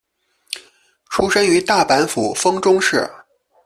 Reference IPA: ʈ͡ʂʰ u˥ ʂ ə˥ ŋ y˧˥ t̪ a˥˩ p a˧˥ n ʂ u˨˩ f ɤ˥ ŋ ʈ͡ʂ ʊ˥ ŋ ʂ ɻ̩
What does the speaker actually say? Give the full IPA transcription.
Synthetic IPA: ʈ͡ʂʰ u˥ ʂ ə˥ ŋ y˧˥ t̪ a˥˩ p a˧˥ n f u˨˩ f ɤ˥ ŋ ʈ͡ʂ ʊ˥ ŋ ʂ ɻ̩